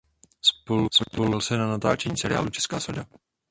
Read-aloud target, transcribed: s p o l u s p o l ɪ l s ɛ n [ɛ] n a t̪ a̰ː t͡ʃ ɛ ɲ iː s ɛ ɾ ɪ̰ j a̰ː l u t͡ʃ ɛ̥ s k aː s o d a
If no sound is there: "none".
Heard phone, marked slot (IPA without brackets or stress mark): a